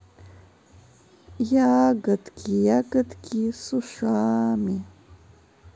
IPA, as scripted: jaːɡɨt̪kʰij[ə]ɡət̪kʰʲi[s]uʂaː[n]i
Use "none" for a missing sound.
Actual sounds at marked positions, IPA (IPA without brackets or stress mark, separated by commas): a, s, m